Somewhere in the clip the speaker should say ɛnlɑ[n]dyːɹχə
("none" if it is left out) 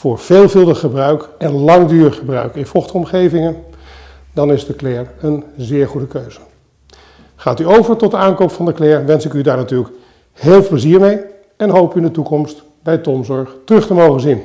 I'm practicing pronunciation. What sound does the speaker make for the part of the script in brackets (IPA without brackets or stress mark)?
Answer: ŋ